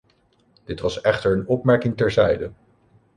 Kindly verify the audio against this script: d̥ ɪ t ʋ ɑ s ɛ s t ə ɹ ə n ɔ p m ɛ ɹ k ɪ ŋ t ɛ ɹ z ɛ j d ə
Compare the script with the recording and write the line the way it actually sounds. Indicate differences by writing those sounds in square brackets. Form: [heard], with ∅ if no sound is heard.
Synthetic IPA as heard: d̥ ɪ t ʋ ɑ s ɛ [χ] t ə ɹ ə n ɔ p m ɛ ɹ k ɪ ŋ t ɛ ɹ z ɛ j d ə

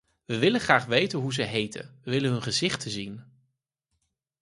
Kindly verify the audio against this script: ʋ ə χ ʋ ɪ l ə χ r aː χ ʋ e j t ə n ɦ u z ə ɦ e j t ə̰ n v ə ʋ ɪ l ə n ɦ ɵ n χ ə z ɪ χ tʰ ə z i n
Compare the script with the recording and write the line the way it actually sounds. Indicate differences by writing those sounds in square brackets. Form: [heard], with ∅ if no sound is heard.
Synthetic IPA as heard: ʋ ə [∅] ʋ ɪ l ə χ r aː χ ʋ e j t ə n ɦ u z ə ɦ e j t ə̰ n [ʋ] ə ʋ ɪ l ə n ɦ ɵ n χ ə z ɪ χ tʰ ə z i n

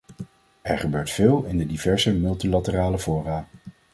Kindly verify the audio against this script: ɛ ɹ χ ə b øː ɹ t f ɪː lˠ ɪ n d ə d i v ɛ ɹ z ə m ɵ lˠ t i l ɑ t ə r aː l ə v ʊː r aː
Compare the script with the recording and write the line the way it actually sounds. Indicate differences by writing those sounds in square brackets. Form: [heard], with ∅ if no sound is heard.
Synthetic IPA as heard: ɛ ɹ χ ə b øː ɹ t f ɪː lˠ ɪ n d ə d i v ɛ ɹ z ə m ɵ lˠ t i l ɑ t ə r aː l ə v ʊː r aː

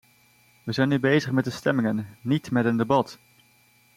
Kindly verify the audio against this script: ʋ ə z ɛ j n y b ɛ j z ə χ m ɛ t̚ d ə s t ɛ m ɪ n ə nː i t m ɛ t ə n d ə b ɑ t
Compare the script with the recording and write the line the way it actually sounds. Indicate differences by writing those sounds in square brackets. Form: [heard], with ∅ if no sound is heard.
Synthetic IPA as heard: ʋ ə z ɛ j n y b [e] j z ə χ m ɛ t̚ d ə s t ɛ m ɪ [ŋ] ə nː i t m ɛ t ə n d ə b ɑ t

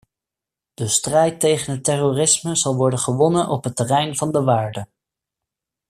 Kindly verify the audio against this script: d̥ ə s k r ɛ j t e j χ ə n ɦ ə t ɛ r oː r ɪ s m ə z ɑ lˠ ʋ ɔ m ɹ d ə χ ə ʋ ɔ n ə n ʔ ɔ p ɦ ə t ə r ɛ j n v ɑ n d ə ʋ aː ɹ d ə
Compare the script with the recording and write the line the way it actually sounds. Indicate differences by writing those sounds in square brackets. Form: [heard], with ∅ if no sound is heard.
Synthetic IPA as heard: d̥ ə s [t] r ɛ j t e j χ ə n ɦ ə t ɛ r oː r ɪ s m ə z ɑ lˠ ʋ ɔ [∅] ɹ d ə χ ə ʋ ɔ n ə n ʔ ɔ p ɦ ə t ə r ɛ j n v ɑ n d ə ʋ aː ɹ d ə

